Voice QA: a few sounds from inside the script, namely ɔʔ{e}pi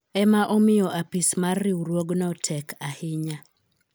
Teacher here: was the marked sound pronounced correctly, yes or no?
no